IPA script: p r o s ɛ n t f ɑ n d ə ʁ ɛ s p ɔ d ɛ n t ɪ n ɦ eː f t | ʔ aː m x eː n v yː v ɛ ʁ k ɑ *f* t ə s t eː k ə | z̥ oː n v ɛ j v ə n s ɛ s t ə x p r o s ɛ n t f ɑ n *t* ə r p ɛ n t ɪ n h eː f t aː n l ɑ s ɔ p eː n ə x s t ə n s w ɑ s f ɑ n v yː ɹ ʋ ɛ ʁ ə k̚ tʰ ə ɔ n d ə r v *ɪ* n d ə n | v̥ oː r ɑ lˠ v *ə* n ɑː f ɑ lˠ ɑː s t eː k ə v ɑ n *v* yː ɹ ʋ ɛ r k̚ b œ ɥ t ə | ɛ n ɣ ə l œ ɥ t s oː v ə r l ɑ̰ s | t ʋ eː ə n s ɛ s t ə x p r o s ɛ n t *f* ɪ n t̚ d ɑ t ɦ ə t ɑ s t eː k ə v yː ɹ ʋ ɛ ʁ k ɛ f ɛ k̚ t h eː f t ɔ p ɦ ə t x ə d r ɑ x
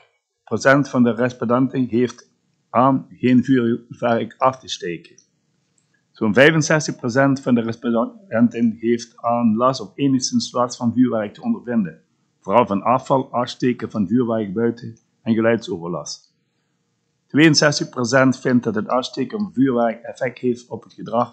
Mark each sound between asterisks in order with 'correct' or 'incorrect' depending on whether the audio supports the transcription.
correct, incorrect: d, correct, incorrect: ɑ, correct, correct

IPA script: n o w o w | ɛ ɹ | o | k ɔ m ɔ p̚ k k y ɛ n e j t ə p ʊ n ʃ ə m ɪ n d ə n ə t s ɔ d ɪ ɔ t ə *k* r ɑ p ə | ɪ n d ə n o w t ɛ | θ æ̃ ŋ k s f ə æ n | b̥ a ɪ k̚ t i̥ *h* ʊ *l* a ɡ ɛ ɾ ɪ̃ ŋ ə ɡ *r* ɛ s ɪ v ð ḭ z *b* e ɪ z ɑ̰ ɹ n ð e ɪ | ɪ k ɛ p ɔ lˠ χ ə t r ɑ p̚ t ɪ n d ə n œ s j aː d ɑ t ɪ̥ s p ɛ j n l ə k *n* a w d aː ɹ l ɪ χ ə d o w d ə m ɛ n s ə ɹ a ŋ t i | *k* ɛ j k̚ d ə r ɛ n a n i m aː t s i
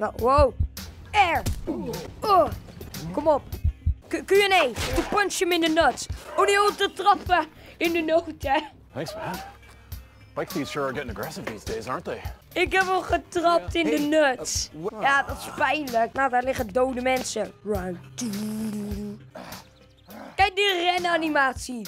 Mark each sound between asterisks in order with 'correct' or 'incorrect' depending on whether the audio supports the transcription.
incorrect: t, incorrect: ʃ, incorrect: ɹ, incorrect: ɹ, incorrect: d, correct, correct

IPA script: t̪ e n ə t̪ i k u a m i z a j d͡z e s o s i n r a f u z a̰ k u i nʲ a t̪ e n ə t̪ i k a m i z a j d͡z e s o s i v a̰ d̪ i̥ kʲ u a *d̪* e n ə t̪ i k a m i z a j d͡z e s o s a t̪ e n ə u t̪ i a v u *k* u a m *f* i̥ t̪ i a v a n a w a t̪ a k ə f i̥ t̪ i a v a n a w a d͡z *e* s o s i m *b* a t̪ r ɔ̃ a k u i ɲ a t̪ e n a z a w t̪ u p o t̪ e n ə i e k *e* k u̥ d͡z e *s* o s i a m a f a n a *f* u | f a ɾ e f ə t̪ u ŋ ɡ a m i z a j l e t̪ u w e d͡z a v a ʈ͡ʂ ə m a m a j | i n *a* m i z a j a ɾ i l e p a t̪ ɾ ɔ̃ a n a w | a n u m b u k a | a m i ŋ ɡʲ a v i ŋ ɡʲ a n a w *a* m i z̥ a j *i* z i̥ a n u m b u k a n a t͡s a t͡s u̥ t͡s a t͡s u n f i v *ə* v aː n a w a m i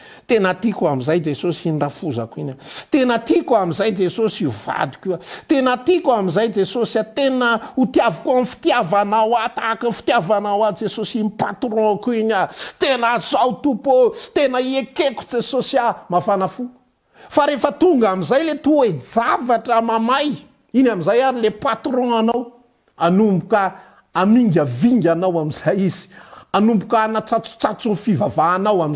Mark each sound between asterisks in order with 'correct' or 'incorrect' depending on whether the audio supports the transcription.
incorrect: t̪, correct, correct, correct, incorrect: p, correct, correct, correct, correct, correct, correct, incorrect: a

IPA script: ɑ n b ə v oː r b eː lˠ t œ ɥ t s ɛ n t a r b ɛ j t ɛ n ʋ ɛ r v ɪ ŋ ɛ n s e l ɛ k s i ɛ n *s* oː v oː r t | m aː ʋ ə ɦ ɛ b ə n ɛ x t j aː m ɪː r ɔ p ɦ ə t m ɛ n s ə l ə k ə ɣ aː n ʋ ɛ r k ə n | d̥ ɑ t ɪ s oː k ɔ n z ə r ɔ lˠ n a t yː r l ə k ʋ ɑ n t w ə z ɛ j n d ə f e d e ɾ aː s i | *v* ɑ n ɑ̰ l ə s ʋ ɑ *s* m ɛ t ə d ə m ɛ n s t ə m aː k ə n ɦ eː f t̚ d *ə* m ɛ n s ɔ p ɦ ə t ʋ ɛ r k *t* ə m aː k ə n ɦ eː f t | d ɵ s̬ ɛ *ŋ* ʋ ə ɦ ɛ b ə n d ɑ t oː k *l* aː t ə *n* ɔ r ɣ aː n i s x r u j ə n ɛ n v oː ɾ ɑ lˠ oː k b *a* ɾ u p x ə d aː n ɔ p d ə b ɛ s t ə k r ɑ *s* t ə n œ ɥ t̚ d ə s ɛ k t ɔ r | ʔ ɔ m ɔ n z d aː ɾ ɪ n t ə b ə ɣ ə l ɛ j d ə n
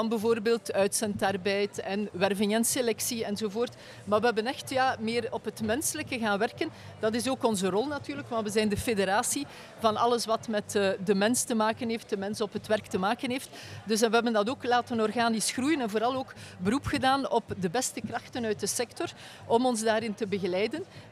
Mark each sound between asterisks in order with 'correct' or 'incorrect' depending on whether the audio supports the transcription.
incorrect: z, correct, incorrect: t, correct, correct, incorrect: n, correct, correct, incorrect: ə, incorrect: x

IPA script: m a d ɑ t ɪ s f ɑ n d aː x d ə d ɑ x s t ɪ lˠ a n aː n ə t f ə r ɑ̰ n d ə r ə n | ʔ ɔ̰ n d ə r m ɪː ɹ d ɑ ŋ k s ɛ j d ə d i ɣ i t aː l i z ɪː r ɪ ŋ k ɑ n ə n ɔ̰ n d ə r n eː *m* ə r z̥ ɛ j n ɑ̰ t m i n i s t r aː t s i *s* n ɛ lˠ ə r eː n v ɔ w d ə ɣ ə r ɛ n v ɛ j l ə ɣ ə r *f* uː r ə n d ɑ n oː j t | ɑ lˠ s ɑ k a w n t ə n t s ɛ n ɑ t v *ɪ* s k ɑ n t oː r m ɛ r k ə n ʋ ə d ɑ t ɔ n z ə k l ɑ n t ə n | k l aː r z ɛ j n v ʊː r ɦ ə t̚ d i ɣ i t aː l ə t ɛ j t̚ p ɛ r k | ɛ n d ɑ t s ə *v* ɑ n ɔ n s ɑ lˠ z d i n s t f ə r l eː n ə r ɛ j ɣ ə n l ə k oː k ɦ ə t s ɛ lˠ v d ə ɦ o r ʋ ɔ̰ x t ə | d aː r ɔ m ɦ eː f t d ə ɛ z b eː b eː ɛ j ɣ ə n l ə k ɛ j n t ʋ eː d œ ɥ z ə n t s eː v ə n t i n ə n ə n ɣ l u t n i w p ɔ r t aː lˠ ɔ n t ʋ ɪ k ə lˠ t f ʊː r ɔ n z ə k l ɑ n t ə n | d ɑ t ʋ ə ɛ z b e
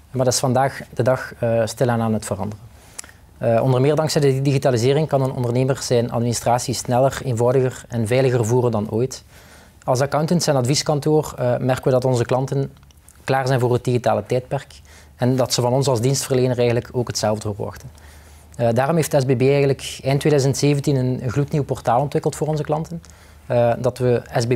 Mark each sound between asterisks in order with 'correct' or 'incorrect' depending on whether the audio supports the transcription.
correct, correct, incorrect: v, incorrect: i, correct

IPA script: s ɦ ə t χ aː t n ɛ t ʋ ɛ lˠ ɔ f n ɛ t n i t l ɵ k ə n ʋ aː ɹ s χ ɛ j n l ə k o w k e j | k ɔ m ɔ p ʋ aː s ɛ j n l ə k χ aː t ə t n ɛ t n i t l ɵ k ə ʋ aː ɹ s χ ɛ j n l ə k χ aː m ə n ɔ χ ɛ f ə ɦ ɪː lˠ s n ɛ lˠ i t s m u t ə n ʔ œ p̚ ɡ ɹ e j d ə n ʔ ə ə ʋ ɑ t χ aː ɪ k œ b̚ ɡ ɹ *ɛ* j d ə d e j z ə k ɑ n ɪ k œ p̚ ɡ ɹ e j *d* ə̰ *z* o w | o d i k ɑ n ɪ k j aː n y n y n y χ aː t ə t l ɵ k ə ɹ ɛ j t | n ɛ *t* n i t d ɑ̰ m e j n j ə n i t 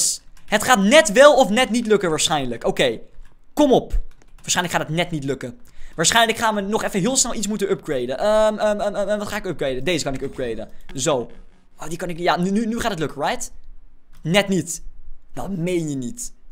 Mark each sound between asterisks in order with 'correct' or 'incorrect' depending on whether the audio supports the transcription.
incorrect: e, correct, correct, correct

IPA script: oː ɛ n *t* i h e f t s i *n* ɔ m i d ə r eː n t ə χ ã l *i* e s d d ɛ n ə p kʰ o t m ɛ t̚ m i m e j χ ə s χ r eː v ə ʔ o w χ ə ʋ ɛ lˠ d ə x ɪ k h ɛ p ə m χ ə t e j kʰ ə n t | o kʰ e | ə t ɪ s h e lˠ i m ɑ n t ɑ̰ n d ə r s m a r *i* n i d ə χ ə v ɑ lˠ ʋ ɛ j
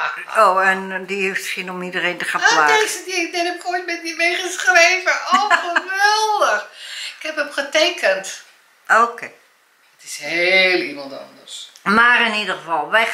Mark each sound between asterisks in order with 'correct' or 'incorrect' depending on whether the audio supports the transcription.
incorrect: d, correct, incorrect: a, incorrect: ɪ

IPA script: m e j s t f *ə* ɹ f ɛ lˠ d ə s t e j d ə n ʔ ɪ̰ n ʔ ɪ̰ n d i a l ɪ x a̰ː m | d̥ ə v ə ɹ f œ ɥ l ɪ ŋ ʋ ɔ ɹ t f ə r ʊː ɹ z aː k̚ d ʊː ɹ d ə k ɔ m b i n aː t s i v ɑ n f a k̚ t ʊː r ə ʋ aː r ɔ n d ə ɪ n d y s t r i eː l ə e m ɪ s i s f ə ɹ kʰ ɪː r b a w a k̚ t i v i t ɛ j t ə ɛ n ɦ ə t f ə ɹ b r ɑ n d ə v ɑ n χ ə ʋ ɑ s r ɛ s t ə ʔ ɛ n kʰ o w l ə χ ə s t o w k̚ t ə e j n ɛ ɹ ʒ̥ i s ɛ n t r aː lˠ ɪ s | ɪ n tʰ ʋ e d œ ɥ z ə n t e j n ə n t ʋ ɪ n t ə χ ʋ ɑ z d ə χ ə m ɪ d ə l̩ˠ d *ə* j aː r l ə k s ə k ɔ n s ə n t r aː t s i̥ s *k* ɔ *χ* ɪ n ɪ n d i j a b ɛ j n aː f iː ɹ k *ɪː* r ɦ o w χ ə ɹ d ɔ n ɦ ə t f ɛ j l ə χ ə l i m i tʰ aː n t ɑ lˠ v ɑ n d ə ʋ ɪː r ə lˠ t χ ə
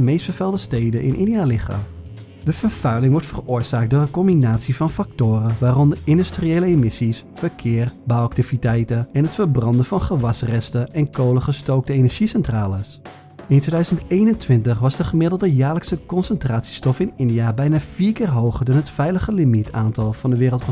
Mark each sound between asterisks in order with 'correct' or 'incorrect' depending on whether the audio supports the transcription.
correct, correct, incorrect: t, incorrect: f, correct

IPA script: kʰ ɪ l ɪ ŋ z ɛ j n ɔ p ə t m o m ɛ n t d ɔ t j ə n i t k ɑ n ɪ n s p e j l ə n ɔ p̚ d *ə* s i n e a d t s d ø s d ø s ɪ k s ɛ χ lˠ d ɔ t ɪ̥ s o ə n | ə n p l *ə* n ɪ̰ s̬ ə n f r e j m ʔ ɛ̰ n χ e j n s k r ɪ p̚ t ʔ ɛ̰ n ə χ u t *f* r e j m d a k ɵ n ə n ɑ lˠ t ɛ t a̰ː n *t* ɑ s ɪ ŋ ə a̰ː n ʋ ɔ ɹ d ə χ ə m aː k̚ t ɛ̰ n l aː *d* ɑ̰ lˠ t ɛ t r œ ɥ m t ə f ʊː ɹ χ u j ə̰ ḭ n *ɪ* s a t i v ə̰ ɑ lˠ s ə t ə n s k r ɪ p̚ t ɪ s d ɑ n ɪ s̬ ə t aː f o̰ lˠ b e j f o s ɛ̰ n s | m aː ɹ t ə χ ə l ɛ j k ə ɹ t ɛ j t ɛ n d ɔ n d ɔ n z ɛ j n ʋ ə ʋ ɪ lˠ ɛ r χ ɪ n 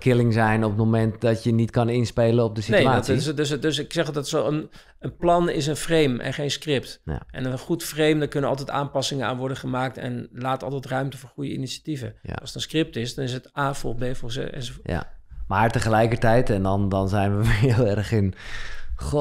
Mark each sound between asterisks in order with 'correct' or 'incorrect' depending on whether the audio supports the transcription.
correct, incorrect: ɑ, correct, incorrect: p, incorrect: t, incorrect: i

